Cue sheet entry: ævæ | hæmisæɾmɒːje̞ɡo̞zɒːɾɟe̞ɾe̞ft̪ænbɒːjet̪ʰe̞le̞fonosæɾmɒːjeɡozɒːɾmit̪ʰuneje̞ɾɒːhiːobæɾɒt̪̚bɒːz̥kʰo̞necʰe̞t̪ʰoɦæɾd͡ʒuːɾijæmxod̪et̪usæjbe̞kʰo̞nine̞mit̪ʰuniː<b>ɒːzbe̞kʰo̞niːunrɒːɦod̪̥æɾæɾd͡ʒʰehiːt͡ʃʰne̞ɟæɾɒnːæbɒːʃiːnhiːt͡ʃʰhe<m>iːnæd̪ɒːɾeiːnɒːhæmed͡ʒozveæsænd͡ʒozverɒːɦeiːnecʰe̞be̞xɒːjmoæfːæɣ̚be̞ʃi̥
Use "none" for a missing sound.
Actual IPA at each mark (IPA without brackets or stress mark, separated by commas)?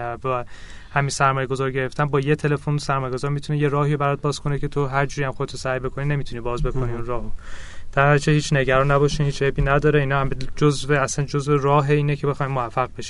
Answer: b, b